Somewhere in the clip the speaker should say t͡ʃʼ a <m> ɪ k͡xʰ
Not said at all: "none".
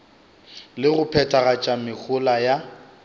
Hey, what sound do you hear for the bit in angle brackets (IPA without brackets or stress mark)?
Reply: m